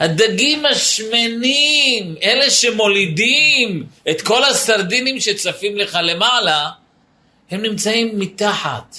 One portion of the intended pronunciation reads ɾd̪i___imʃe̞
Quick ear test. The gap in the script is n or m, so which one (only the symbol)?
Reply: n